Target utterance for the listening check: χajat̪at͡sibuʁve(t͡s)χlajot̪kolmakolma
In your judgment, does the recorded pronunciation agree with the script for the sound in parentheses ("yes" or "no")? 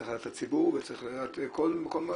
yes